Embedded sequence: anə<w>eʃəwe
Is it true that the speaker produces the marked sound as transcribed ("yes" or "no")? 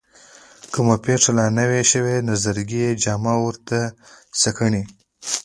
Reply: yes